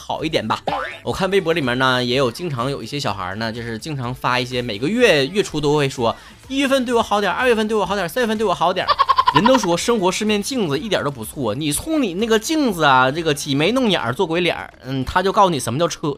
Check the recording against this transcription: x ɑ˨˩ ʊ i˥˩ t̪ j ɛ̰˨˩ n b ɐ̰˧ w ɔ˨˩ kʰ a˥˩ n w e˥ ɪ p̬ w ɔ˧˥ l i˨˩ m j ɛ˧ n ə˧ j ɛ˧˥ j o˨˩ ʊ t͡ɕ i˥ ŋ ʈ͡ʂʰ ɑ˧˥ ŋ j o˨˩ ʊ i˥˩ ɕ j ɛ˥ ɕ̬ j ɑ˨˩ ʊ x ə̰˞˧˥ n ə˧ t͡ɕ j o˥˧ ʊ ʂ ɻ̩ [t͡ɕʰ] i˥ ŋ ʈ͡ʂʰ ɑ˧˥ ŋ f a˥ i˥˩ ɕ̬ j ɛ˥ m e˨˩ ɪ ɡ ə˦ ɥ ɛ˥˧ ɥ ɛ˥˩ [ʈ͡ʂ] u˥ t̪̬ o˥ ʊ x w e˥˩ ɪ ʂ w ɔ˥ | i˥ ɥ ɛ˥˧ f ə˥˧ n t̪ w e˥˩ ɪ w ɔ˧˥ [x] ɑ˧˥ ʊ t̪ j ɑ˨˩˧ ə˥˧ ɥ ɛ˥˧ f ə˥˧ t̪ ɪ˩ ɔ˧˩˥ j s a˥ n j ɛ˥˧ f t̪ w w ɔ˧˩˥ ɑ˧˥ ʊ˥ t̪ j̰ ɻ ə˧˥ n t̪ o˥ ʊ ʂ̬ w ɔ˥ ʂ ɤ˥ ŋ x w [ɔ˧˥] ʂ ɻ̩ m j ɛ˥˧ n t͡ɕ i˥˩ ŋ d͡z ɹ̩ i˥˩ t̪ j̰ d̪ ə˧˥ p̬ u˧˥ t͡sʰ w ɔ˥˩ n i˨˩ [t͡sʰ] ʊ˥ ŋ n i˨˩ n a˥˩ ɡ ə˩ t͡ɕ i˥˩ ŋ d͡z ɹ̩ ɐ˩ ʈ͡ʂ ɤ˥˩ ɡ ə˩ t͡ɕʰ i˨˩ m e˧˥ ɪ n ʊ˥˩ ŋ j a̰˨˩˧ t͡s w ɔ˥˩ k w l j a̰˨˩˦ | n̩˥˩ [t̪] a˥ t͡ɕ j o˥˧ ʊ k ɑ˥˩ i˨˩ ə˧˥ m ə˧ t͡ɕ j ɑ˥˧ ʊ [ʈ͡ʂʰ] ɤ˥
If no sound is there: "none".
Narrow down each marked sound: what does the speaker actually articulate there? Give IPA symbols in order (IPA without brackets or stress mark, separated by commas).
t͡ɕ, ʈ͡ʂʰ, x, ɔ˧˥, t͡sʰ, t̪ʰ, ʈ͡ʂʰ